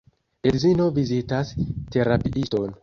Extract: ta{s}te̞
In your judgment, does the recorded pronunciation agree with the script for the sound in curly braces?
yes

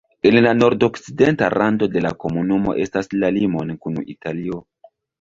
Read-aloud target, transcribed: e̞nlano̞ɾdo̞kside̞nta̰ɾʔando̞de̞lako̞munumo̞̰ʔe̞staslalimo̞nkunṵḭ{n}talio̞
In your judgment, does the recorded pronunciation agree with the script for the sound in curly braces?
no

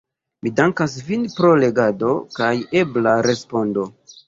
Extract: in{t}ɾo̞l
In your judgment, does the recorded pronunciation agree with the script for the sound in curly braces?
no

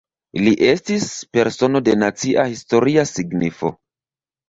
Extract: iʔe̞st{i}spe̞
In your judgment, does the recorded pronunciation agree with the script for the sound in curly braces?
yes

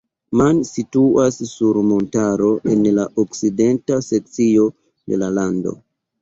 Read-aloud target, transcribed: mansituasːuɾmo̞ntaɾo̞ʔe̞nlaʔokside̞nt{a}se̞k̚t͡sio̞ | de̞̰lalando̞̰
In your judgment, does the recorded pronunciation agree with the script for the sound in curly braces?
yes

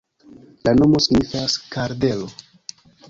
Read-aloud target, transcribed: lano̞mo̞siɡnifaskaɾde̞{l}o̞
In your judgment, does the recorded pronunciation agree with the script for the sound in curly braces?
yes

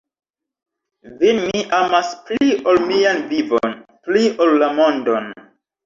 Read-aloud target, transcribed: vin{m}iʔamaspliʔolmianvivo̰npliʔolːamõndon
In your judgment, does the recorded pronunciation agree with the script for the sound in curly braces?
yes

